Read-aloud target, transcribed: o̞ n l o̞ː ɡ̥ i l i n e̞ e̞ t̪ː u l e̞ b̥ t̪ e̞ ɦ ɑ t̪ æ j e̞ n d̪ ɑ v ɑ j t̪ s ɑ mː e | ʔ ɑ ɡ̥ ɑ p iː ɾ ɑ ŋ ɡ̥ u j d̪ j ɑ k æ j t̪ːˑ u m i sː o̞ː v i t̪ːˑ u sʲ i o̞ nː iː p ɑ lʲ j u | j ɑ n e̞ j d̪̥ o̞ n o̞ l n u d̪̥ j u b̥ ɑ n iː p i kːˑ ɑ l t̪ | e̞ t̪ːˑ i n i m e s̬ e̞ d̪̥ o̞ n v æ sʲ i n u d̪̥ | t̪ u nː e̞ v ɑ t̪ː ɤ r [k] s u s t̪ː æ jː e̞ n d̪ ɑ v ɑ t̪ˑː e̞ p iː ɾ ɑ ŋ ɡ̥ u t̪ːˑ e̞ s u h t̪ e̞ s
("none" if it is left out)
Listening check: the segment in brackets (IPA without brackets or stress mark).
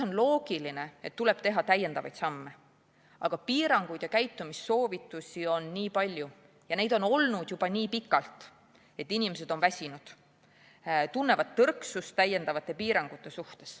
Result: k